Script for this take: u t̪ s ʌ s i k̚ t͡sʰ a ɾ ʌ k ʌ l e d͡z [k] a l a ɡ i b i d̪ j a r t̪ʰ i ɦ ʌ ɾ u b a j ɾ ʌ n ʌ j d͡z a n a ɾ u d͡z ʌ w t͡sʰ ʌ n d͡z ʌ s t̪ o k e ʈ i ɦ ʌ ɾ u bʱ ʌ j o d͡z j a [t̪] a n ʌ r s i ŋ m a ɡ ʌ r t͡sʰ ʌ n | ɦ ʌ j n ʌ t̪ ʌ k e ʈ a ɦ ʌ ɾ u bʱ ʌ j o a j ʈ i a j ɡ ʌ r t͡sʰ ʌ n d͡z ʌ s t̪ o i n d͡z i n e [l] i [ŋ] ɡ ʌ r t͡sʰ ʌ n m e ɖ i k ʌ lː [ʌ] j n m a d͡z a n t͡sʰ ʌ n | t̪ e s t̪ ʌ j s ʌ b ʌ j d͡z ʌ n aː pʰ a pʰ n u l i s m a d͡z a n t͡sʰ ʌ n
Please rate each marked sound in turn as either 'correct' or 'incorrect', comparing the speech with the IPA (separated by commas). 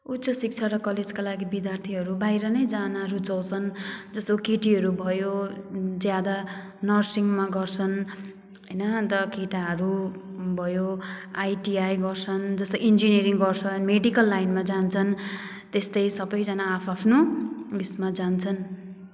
correct, incorrect, incorrect, correct, incorrect